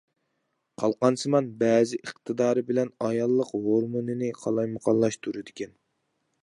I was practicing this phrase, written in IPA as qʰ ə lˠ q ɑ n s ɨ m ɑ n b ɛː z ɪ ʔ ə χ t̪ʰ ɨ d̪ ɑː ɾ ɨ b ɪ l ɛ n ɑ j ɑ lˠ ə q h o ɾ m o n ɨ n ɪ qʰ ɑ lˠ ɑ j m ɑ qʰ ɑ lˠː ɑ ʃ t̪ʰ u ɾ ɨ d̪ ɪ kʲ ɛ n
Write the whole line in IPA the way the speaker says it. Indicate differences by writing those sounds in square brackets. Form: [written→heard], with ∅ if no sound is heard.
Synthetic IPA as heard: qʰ [ə→ɑ] lˠ q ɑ n s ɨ m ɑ n b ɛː z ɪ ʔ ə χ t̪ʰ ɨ d̪ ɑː ɾ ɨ b ɪ l ɛ n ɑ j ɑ [lˠ→lˠː] ə q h o ɾ m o n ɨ n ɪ qʰ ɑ lˠ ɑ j m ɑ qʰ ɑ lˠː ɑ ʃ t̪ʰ u ɾ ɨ d̪ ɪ kʲ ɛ n